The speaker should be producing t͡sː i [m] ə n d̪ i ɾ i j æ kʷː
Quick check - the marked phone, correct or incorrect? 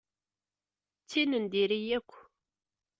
incorrect